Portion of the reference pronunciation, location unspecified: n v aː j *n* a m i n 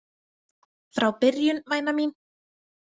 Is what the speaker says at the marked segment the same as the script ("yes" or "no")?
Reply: yes